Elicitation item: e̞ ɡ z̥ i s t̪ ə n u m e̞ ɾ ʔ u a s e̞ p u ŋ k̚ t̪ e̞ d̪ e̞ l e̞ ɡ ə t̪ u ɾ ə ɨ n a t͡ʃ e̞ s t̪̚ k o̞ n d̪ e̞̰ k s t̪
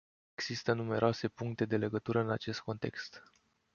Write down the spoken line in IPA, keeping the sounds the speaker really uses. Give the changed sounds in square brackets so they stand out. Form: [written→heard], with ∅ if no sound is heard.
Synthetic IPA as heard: e̞ ɡ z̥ i s t̪ ə n u m e̞ ɾ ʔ [u→o] a s e̞ p u ŋ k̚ t̪ e̞ d̪ e̞ l e̞ ɡ ə t̪ u ɾ ə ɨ n a t͡ʃ e̞ s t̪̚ k o̞ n [d̪→t̪] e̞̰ k s t̪